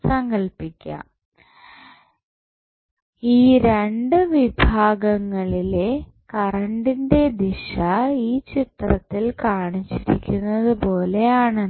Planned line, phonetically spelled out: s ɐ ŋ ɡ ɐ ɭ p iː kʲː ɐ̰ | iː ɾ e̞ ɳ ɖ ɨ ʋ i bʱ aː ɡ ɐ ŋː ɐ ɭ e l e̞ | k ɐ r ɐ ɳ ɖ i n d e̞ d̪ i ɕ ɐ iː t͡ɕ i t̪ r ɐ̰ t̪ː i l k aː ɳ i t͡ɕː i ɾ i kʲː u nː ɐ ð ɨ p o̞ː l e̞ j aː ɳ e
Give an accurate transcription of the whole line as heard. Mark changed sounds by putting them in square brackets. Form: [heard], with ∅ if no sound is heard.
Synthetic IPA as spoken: s ɐ ŋ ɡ ɐ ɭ p [i] kʲː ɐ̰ | iː ɾ e̞ ɳ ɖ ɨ ʋ i bʱ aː ɡ ɐ ŋː ɐ ɭ [i] l e̞ | k ɐ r ɐ ɳ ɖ i n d e̞ d̪ i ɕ ɐ iː t͡ɕ i t̪ r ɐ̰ t̪ː i l k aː ɳ i t͡ɕː i ɾ i kʲː u nː ɐ ð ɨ p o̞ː l e̞ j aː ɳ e

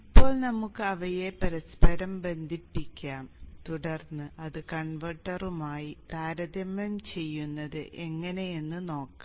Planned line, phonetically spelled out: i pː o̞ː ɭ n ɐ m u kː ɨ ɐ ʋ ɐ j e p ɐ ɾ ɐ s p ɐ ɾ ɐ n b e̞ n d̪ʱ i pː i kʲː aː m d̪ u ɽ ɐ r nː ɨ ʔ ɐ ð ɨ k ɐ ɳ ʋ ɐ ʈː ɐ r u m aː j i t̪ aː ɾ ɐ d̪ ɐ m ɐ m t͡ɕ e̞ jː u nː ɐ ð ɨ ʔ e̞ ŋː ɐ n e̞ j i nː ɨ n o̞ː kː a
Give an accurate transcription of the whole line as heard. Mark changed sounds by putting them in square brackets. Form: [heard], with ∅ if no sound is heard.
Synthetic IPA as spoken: i pː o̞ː ɭ n ɐ m u kː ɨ ɐ ʋ ɐ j e p ɐ ɾ ɐ s p ɐ ɾ ɐ [m] b e̞ n d̪ʱ i pː i kʲː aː m [t̪] u ɽ ɐ r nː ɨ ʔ ɐ ð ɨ k ɐ ɳ ʋ ɐ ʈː ɐ r u m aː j i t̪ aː ɾ ɐ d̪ ɐ m ɐ m t͡ɕ e̞ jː u nː ɐ ð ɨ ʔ e̞ ŋː ɐ n e̞ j [e] nː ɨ n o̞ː kː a

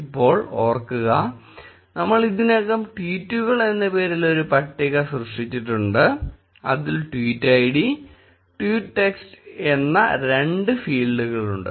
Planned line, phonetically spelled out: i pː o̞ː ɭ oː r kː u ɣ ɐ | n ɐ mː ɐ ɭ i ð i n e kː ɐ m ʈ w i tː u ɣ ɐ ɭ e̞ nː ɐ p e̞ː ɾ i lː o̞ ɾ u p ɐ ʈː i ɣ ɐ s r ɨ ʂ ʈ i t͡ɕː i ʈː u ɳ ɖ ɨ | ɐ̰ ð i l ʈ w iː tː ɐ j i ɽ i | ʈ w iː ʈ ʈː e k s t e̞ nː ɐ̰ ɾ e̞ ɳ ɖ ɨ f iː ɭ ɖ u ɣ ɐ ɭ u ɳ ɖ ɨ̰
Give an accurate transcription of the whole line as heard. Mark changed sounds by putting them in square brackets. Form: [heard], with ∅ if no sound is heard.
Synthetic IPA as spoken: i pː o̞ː ɭ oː r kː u ɣ ɐ | n ɐ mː ɐ ɭ i ð i n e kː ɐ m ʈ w [iː] tː u ɣ ɐ ɭ e̞ nː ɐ p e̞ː ɾ i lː o̞ ɾ u p ɐ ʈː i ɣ ɐ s r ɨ ʂ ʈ i t͡ɕː i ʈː u ɳ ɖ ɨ | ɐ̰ ð i l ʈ w iː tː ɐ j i ɽ i | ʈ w iː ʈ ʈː e k s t e̞ nː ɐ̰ ɾ e̞ ɳ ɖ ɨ f iː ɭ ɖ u ɣ ɐ ɭ u ɳ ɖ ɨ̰

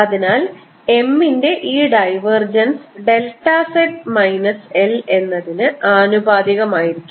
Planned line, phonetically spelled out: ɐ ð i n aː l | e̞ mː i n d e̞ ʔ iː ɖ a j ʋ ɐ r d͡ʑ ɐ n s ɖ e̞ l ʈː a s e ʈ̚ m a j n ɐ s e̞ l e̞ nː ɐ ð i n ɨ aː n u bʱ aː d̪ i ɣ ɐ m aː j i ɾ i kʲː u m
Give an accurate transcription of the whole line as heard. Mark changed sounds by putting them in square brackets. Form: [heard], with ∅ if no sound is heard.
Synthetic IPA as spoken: ɐ ð i n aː l | e̞ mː i n d e̞ ʔ iː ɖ [ɐ] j ʋ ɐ r d͡ʑ ɐ n s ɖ e̞ l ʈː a s e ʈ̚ m [ɐ] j n ɐ s e̞ l e̞ nː ɐ ð i n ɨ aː n u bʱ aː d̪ i ɣ ɐ m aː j i ɾ i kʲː u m

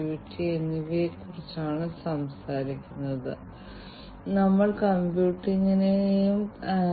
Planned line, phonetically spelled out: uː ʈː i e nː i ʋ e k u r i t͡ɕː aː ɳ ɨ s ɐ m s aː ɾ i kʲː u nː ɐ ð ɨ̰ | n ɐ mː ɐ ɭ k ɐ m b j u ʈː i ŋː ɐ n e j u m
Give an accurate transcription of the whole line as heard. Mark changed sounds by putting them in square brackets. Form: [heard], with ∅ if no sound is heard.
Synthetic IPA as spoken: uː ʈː i e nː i ʋ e k u r i t͡ɕː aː ɳ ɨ s ɐ m s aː ɾ i kʲː u nː ɐ ð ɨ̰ | n ɐ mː ɐ ɭ k ɐ m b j [uː] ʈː i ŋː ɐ n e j u m

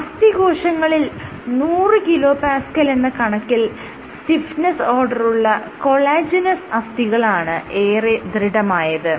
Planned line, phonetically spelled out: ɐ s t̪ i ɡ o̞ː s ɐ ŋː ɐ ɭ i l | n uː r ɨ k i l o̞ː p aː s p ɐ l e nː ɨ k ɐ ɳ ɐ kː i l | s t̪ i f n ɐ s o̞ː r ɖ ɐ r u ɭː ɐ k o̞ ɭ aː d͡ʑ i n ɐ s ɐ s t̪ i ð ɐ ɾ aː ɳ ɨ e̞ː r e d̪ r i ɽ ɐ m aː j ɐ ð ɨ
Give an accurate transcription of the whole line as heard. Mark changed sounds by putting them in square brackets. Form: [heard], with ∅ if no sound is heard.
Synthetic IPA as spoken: ɐ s t̪ i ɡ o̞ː [ʂ] ɐ ŋː ɐ ɭ i l | n uː r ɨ k i l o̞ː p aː s [k] ɐ l e nː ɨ k ɐ ɳ ɐ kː i l | s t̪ i f n ɐ s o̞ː r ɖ ɐ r u ɭː ɐ k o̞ ɭ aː d͡ʑ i n ɐ s ɐ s t̪ i [ɣ] ɐ [ɭ] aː ɳ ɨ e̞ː r e d̪ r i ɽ ɐ m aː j ɐ ð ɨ

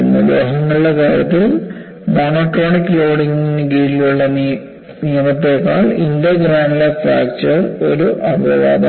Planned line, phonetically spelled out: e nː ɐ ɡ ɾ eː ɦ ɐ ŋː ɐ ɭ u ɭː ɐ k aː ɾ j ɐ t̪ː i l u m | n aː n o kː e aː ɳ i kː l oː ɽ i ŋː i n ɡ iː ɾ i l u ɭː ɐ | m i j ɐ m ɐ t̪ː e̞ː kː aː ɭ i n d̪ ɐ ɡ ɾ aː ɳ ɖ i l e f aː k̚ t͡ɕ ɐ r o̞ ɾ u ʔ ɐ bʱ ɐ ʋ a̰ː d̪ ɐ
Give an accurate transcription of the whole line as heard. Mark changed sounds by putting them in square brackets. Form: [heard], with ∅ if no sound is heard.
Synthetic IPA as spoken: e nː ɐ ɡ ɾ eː ɦ ɐ ŋː ɐ ɭ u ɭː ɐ k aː ɾ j ɐ t̪ː i l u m | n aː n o kː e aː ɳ i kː l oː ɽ i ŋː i n ɡ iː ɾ i l u ɭː ɐ | [n] i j ɐ m ɐ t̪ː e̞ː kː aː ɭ i n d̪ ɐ ɡ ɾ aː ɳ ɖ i l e f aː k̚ t͡ɕ ɐ r o̞ ɾ u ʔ ɐ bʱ ɐ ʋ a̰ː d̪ ɐ

